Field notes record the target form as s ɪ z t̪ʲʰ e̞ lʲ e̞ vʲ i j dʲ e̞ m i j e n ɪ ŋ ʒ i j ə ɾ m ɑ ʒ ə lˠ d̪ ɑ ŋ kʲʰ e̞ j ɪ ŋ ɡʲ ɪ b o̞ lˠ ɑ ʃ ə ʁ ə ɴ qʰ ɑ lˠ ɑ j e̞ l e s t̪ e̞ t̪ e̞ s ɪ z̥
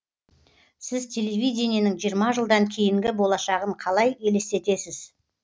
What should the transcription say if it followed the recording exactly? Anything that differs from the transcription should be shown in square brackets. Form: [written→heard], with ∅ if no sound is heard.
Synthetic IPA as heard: s ɪ z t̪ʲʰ e̞ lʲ e̞ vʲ i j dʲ e̞ [m→n] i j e n ɪ ŋ ʒ i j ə ɾ m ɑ ʒ ə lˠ d̪ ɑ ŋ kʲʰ e̞ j ɪ ŋ ɡʲ ɪ b o̞ lˠ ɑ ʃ [ə→ɑ] ʁ ə ɴ qʰ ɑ lˠ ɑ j e̞ l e s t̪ e̞ t̪ e̞ s ɪ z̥